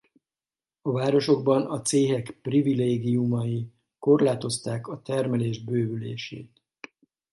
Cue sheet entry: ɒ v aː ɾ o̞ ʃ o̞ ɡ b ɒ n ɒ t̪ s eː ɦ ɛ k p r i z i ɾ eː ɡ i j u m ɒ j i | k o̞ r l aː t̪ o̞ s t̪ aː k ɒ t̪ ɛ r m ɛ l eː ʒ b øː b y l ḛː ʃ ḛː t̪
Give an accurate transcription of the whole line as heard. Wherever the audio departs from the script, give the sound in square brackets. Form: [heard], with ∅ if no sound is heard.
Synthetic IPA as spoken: ɒ v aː ɾ o̞ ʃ o̞ ɡ b ɒ n ɒ t̪ s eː ɦ ɛ k p r i [v] i [l] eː ɡ i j u m ɒ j i | k o̞ r l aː t̪ o̞ s t̪ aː k ɒ t̪ ɛ r m ɛ l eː ʒ b øː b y l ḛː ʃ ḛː t̪